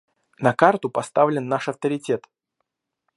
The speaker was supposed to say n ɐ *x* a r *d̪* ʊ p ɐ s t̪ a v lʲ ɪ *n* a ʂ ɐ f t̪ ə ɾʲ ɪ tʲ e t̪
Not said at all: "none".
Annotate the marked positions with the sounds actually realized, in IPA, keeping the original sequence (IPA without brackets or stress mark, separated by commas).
k, t̪, nː